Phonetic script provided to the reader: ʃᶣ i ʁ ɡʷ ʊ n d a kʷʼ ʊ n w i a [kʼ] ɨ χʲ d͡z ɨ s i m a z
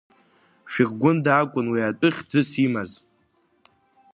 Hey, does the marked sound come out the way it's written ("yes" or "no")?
no